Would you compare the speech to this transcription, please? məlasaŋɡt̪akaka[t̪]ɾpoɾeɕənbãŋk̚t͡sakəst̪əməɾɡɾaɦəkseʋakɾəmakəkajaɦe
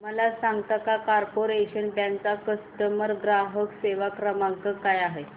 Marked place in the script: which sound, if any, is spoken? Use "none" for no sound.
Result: none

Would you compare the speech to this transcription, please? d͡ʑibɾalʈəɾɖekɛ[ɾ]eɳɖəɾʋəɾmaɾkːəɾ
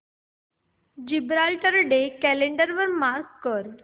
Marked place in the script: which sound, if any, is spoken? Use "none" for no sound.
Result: l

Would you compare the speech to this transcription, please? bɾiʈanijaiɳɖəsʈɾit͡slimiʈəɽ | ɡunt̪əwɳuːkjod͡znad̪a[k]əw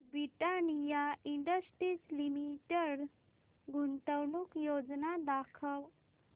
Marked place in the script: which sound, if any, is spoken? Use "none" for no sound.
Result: kʰ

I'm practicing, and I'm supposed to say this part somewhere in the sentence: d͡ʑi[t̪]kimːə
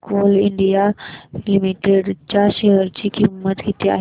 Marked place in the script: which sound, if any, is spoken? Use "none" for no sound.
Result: none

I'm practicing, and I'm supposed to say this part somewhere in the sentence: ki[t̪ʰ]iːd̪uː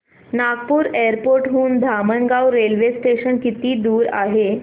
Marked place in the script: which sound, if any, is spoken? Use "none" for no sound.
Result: t̪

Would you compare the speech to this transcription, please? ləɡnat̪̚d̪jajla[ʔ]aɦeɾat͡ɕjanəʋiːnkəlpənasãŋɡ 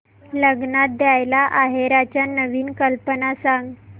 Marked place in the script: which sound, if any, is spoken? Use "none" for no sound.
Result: ʔ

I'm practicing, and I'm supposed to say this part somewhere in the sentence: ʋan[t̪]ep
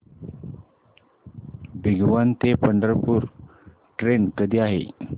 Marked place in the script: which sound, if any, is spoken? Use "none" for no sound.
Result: t̪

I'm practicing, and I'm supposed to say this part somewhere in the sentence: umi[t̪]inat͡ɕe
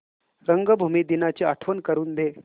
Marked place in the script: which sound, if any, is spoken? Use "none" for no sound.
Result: d̪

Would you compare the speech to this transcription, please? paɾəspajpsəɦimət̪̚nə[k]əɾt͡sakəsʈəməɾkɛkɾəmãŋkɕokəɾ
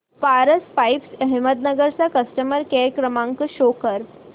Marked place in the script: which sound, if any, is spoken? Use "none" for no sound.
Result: ɡ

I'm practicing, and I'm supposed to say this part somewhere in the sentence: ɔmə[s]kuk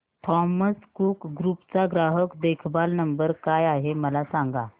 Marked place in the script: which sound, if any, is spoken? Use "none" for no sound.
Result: s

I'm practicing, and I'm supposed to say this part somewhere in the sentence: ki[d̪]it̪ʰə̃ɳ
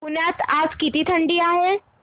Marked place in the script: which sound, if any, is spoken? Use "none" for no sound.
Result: t̪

